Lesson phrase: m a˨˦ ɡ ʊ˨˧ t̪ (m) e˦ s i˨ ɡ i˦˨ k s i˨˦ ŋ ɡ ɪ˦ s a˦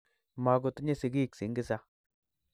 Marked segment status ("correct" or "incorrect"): incorrect